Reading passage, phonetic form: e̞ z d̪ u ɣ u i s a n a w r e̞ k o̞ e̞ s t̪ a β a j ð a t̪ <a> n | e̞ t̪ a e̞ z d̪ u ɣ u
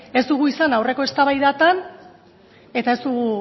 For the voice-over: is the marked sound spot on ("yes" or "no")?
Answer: yes